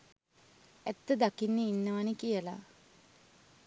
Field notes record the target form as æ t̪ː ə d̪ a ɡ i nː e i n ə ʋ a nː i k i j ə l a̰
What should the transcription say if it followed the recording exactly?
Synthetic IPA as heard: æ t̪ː ə d̪ a k i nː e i nː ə ʋ a n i k i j ə l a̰